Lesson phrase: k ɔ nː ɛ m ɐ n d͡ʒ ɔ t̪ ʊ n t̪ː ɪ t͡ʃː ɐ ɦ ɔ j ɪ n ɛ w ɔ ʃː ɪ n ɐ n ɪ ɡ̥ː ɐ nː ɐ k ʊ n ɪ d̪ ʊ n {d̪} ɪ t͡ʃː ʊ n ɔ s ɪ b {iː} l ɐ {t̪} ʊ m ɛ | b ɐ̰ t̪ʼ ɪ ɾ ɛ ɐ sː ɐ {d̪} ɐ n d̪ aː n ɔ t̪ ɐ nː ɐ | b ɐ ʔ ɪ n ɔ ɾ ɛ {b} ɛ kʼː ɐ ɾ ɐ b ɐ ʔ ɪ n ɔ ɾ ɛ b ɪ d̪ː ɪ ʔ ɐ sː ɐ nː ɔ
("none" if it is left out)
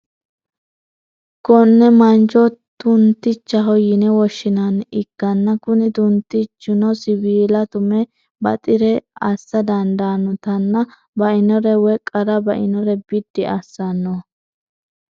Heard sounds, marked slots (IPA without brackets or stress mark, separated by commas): t̪, iː, t̪, d̪, w